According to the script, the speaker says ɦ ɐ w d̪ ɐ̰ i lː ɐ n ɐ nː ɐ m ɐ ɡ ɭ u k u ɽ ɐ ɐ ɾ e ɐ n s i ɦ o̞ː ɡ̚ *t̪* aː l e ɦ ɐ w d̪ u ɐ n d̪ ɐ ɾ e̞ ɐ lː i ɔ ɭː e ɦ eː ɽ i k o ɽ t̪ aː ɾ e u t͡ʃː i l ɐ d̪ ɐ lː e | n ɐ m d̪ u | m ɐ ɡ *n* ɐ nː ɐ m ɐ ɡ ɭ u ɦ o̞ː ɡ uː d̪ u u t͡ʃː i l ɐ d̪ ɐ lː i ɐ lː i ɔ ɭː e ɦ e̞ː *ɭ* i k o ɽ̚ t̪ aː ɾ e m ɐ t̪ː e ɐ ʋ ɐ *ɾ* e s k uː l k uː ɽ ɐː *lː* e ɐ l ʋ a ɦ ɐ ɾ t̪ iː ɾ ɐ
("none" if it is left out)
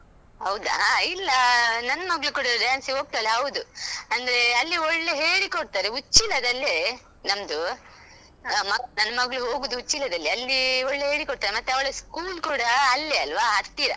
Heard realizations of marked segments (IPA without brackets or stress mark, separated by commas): t̪, n, ɽ, ɭ, lː